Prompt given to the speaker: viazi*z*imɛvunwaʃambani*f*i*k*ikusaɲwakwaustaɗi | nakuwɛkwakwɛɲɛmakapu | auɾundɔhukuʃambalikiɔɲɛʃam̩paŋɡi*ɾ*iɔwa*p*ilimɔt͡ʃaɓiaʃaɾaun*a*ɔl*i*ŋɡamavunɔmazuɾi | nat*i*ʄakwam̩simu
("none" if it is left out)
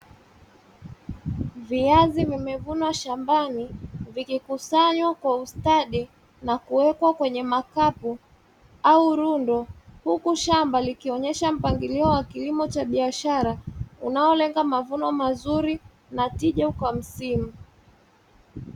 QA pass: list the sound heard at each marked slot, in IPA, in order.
v, v, k, l, k, a, ɛ, i

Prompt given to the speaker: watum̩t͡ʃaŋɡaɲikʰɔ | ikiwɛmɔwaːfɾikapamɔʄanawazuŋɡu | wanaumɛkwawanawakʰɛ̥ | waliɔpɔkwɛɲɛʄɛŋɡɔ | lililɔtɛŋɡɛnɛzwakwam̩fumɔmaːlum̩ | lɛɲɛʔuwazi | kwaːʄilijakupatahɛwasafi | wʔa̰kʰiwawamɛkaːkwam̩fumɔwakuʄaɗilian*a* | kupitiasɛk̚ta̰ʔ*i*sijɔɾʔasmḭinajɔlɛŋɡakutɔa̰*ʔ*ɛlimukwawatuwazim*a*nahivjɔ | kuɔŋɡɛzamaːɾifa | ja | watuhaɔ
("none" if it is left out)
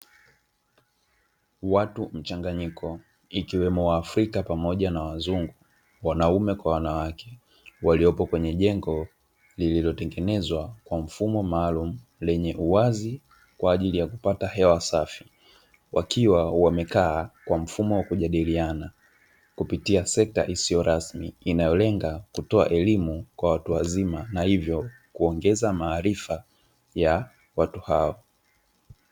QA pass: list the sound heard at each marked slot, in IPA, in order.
a, i, ʔ, a

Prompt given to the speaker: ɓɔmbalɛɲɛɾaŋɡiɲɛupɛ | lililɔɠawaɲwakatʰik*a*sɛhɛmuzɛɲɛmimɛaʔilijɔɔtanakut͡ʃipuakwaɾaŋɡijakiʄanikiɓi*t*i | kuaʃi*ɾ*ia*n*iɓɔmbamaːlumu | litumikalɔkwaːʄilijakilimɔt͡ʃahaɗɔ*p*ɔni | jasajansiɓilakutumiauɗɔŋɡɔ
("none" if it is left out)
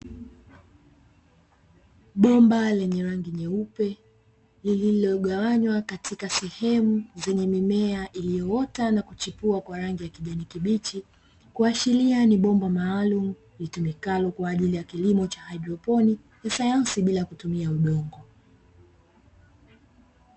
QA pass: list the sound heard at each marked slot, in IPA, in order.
a, t͡ʃ, l, n, p

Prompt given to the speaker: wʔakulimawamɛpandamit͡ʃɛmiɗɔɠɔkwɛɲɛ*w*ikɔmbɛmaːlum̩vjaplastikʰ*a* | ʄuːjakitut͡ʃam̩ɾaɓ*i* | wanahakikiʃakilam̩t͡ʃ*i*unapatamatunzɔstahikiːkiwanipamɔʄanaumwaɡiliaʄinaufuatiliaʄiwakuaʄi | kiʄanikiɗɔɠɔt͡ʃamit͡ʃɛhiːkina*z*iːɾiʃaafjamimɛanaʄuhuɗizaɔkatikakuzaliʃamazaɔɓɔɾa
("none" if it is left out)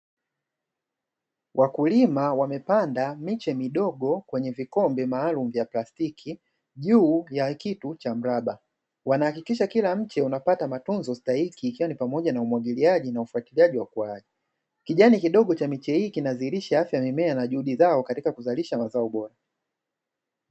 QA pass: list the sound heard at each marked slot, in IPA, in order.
v, i, a, ɛ, z

